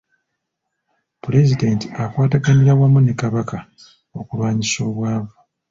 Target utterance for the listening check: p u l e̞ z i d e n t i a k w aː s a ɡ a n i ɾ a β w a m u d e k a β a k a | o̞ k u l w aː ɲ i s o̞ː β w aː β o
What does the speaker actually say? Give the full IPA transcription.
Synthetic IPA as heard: p u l e̞ z i d e n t i a k w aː t a ɡ a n i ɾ a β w a m u n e k a β a k a | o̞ k u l w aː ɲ i s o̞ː β w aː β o